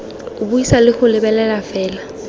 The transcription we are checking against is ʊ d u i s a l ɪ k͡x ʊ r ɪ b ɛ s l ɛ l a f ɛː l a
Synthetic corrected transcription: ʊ b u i s a l ɪ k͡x ʊ l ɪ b ɛ l ɛ l a f ɛː l a

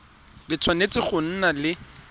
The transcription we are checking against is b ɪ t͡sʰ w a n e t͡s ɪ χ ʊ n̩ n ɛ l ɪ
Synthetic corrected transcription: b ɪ t͡sʰ w a n e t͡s ɪ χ ʊ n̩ n a l ɪ

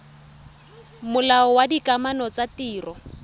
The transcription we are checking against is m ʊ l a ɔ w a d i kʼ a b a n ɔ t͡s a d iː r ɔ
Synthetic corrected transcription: m ʊ l a ɔ w a d i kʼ a m a n ɔ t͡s a t iː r ɔ

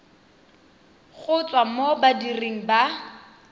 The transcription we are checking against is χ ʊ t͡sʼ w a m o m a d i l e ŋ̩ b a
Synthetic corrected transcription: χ ʊ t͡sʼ w a m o b a d i r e ŋ̩ b a

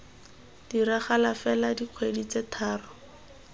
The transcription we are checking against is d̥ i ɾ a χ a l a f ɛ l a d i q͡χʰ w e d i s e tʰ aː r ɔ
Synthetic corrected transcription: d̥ i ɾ a χ a l a f ɛ l a d i q͡χʰ w e d i t͡s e tʰ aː r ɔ

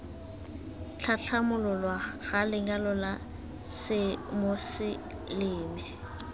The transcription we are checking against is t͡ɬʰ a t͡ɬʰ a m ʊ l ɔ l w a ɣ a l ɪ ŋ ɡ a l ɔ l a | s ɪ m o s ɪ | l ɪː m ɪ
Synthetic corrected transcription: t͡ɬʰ a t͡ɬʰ a m ʊ l ɔ l w a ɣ a l ɪ ŋ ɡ a l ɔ l a | s ɪ m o s ɪ | l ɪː m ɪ

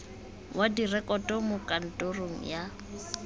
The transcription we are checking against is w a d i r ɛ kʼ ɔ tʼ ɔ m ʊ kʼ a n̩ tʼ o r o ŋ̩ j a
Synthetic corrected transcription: w a d i r ɛ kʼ ɔ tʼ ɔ m ʊ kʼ a n̩ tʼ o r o ŋ̩ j a

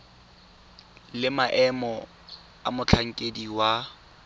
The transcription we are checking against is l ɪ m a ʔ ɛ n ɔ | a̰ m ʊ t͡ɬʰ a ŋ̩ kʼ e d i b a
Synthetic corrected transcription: l ɪ m a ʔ ɛ m ɔ | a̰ m ʊ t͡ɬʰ a ŋ̩ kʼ e d i w a

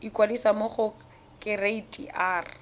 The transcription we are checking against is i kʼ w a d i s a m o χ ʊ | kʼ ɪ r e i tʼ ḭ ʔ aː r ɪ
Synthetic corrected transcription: i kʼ w a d i s a m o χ ʊ | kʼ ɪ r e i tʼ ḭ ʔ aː r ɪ

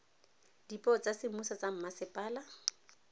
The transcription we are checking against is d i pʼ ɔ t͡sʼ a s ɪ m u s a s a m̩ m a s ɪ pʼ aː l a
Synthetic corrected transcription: d i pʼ ɔ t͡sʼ a s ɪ m u s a t͡s a m̩ m a s ɪ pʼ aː l a

